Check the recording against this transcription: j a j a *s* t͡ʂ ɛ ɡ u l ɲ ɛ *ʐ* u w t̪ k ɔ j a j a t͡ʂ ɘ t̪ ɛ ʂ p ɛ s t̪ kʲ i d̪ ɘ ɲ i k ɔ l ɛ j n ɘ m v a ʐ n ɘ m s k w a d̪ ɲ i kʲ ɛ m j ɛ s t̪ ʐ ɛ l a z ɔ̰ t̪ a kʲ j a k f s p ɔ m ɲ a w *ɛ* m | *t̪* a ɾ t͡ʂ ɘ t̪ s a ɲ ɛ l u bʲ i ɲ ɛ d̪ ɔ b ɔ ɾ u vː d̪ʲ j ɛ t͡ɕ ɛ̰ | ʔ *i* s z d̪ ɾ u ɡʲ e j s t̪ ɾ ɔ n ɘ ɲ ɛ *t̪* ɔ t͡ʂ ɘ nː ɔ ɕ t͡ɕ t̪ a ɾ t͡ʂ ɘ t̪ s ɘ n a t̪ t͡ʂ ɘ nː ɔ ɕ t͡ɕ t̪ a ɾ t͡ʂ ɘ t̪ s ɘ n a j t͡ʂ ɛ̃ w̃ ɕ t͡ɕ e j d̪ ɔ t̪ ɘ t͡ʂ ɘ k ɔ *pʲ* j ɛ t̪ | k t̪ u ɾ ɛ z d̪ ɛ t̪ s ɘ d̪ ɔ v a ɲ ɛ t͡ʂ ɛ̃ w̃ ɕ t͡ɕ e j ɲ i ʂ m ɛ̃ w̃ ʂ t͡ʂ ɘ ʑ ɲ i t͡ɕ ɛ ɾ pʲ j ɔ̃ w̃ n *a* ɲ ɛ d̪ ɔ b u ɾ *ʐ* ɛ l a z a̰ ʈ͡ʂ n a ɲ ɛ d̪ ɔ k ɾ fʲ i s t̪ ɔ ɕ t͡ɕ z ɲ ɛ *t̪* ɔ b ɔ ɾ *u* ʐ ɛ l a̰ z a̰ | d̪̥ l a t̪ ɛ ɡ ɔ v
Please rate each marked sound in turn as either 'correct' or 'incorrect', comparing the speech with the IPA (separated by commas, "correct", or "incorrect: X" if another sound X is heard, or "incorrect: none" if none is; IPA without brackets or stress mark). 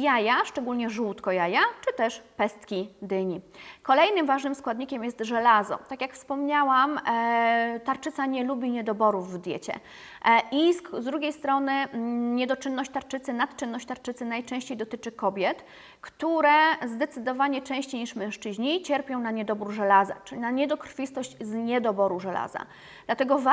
incorrect: ʂ, correct, incorrect: a, correct, correct, incorrect: d̪, incorrect: bʲ, correct, correct, incorrect: d̪, correct